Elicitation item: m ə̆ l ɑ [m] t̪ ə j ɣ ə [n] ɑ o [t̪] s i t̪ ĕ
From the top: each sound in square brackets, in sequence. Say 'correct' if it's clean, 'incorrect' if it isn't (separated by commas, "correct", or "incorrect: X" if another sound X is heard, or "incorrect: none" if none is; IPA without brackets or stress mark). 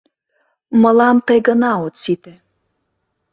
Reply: correct, correct, correct